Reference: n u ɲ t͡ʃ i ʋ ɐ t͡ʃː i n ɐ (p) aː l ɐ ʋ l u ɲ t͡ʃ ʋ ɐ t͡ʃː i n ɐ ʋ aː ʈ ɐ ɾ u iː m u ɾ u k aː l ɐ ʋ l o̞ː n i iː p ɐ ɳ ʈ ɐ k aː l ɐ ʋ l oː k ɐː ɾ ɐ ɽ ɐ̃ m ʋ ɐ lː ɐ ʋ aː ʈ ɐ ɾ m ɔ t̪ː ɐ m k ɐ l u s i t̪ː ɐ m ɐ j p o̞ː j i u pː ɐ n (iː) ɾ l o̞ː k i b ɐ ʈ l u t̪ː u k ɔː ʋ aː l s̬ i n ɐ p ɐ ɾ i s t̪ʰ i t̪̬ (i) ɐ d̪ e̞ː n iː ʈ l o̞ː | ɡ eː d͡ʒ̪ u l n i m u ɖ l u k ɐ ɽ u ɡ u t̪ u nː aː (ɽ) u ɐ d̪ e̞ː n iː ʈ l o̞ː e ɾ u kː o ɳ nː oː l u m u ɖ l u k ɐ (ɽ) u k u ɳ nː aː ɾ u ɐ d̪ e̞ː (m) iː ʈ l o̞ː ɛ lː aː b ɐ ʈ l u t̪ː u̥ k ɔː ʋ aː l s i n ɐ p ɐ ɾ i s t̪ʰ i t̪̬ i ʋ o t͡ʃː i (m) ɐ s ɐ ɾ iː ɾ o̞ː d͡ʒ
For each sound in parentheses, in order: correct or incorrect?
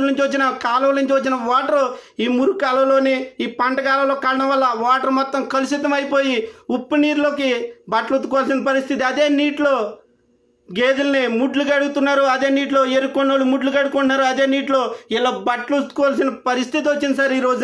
incorrect, correct, correct, incorrect, correct, incorrect, incorrect

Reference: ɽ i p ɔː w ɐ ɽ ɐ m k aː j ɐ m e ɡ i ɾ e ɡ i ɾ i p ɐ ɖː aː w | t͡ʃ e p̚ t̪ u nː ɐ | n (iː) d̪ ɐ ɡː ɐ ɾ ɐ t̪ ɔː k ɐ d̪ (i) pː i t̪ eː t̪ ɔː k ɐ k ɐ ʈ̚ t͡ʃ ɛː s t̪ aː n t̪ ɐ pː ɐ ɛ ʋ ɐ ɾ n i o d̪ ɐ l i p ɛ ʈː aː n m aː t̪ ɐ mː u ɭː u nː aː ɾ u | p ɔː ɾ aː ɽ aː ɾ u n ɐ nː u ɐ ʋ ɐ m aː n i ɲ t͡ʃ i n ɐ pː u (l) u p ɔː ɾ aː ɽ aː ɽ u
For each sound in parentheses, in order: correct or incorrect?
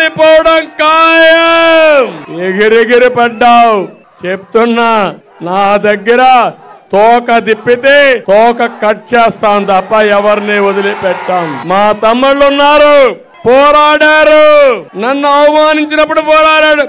incorrect, correct, incorrect

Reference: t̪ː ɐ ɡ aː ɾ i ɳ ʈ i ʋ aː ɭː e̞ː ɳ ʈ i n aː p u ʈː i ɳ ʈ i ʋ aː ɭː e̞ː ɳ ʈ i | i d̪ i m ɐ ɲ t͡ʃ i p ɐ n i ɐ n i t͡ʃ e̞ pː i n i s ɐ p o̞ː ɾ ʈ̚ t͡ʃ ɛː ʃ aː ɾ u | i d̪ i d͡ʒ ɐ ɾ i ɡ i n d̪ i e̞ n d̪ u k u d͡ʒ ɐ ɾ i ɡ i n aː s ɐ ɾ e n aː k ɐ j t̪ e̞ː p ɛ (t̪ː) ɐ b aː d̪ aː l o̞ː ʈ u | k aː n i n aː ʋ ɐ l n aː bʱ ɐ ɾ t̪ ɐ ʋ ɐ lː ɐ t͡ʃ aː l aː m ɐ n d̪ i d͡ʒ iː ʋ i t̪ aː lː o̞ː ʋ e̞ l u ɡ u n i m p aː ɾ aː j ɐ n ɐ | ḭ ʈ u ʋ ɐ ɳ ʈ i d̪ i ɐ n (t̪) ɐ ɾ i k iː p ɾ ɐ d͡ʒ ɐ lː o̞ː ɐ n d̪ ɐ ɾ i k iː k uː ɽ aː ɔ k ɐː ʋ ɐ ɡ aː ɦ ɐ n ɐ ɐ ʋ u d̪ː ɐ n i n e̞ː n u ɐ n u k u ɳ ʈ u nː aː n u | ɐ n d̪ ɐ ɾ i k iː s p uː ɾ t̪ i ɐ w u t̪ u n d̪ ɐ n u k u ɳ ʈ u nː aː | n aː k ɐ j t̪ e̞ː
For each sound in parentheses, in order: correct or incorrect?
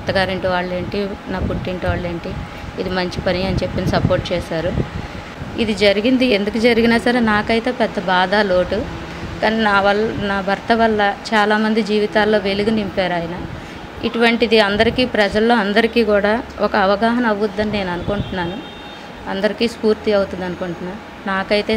incorrect, incorrect

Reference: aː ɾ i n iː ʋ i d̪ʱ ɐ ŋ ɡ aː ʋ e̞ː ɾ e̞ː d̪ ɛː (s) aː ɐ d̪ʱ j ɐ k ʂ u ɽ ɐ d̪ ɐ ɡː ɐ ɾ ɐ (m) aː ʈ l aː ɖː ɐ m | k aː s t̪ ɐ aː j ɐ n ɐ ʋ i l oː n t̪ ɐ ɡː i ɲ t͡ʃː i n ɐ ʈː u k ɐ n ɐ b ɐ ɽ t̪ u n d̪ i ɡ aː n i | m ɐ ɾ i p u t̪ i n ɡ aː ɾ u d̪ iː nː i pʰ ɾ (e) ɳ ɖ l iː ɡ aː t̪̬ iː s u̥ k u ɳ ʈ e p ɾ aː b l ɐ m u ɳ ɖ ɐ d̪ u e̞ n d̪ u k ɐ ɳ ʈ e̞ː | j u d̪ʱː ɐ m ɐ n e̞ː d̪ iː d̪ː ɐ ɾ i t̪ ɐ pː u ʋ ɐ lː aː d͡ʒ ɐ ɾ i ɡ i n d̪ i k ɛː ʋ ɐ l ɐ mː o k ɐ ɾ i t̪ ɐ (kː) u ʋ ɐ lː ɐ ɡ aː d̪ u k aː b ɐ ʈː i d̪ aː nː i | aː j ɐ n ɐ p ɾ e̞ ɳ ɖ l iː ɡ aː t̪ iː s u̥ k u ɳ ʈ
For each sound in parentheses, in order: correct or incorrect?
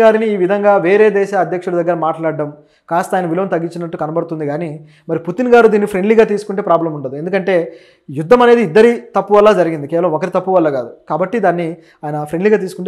incorrect, correct, correct, incorrect

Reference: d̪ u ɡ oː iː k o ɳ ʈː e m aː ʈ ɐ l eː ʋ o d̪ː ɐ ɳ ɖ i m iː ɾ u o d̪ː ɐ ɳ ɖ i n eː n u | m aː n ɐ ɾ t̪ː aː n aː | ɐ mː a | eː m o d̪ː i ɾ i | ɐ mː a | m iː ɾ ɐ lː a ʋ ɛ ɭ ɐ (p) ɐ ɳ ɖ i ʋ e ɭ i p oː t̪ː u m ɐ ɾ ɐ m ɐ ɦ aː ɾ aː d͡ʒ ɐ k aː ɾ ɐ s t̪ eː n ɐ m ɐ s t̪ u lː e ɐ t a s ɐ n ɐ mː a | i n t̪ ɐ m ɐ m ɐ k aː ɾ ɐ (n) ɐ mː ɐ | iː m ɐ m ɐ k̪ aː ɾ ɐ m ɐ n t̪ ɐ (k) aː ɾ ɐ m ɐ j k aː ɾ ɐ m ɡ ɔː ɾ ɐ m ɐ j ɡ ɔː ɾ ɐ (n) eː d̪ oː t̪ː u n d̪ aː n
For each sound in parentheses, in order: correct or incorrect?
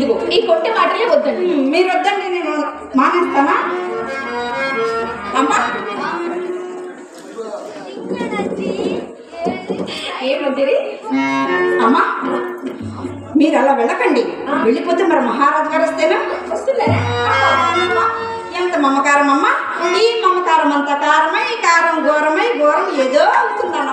incorrect, incorrect, correct, incorrect

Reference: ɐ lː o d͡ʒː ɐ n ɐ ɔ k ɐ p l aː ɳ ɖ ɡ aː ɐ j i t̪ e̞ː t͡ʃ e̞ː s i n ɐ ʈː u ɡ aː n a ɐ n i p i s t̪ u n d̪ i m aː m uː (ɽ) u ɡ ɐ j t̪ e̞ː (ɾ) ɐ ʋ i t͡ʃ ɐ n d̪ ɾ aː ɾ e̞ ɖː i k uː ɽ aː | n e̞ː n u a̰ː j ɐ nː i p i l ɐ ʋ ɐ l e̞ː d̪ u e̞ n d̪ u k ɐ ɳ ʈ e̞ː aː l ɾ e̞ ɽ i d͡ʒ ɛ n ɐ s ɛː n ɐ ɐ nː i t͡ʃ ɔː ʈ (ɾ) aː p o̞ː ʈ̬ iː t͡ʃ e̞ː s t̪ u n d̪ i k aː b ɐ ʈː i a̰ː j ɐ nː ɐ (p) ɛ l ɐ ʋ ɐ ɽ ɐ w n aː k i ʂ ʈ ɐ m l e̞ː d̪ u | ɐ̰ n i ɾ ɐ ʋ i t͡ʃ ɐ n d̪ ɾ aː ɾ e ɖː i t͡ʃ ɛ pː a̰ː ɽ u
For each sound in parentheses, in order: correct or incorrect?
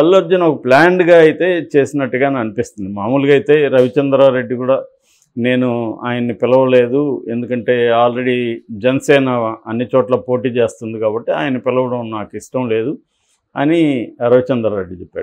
incorrect, correct, incorrect, correct

